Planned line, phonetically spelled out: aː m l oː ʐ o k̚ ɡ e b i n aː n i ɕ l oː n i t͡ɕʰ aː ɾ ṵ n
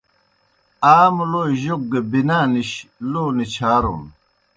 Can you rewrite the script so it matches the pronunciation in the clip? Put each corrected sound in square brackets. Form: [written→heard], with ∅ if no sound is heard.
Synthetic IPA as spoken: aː m l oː [ʐ→ʑ] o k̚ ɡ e b i n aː n i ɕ l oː n i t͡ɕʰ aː ɾ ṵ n